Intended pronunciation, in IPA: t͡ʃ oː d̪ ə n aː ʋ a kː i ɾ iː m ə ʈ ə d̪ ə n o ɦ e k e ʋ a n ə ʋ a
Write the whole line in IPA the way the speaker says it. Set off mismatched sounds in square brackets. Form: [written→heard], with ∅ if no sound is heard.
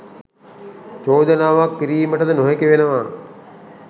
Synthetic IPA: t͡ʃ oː d̪ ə n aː ʋ a kː i ɾ iː m ə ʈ ə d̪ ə n o ɦ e k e ʋ [a→e] n ə ʋ a